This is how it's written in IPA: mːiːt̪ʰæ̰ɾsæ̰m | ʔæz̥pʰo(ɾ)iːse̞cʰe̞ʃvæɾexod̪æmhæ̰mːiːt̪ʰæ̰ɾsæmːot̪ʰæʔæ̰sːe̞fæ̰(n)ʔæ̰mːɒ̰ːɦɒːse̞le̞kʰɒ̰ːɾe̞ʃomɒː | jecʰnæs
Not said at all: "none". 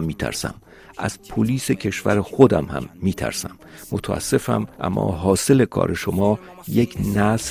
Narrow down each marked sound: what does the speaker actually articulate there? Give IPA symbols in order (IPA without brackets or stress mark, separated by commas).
l, m